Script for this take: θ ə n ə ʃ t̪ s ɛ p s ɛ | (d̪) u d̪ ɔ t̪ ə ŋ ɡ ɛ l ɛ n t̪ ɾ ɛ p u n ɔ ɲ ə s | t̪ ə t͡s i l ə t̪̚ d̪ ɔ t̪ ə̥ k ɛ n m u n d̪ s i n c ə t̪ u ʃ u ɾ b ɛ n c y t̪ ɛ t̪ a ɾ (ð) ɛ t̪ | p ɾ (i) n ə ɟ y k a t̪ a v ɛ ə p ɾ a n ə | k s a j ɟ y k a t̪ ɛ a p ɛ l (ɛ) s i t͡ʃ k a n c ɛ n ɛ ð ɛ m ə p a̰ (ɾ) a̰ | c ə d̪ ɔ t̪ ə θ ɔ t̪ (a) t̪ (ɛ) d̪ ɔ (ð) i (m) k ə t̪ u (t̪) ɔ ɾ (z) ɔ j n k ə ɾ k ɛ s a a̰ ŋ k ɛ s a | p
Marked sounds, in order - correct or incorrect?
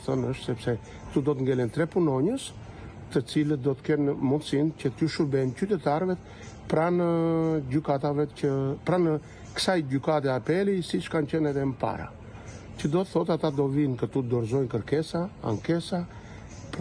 incorrect: t̪, incorrect: v, incorrect: a, incorrect: i, correct, correct, incorrect: a, incorrect: v, incorrect: n, incorrect: d̪, correct

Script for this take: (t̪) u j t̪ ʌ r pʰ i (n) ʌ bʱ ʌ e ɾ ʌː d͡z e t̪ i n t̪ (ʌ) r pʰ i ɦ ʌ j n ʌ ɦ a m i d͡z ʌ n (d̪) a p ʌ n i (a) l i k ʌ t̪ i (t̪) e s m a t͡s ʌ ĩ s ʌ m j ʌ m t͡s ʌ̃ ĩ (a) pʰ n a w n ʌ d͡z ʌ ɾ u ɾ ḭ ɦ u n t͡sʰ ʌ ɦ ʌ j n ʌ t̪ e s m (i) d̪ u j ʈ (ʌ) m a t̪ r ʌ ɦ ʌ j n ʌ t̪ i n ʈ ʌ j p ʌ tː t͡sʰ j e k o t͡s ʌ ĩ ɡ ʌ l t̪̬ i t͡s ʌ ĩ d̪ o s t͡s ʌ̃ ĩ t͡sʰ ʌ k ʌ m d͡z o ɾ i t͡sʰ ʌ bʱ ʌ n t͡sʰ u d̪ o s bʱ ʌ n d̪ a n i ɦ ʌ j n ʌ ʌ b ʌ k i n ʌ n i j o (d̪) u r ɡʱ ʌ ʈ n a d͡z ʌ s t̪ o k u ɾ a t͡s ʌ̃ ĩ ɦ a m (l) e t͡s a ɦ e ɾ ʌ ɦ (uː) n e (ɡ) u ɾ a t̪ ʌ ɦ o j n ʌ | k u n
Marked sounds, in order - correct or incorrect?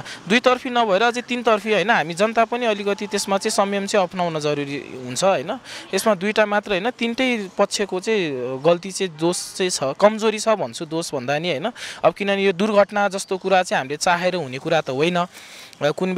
incorrect: d̪, correct, correct, incorrect: t̪, incorrect: ʌ, correct, incorrect: ʌ, incorrect: a, incorrect: a, correct, correct, incorrect: u, incorrect: k

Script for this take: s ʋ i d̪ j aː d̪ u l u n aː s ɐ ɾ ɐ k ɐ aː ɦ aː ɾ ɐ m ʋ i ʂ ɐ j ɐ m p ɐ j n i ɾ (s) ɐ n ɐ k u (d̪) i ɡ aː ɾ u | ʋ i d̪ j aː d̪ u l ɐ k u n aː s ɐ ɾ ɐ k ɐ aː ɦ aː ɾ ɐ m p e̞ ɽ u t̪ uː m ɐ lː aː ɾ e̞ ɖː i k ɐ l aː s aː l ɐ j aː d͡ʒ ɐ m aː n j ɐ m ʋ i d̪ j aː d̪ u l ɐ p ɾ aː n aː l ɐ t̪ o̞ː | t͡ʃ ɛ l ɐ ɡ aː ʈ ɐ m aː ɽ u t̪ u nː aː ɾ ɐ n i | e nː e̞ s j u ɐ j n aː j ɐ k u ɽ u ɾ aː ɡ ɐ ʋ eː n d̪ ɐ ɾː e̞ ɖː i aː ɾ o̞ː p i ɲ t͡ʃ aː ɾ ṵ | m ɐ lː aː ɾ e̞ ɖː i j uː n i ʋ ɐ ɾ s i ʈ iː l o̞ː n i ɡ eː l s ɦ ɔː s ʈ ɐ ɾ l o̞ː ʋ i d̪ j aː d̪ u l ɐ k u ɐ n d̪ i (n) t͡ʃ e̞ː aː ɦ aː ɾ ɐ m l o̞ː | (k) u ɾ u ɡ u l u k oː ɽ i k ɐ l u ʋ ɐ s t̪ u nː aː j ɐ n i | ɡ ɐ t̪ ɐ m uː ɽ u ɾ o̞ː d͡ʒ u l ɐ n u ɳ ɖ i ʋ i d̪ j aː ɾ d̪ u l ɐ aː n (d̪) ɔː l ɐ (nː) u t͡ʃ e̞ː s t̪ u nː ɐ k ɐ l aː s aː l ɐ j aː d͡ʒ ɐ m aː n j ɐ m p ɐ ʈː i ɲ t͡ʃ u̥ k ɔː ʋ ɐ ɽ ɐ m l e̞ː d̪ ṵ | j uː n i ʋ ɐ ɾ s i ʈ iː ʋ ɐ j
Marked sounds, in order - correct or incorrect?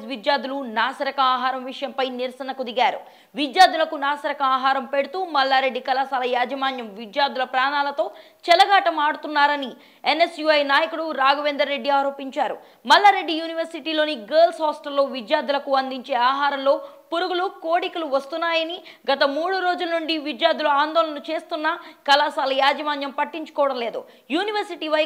correct, correct, incorrect: ɲ, incorrect: p, correct, incorrect: n

